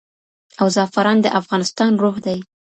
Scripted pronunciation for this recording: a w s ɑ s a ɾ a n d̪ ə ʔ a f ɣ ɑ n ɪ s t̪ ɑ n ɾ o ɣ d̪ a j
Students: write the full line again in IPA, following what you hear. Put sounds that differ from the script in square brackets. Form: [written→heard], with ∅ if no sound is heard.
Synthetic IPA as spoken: a w [s→z] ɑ [s→f] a ɾ [a→ɑ] n d̪ ə ʔ a f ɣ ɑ n ɪ s t̪ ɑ n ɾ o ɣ d̪ a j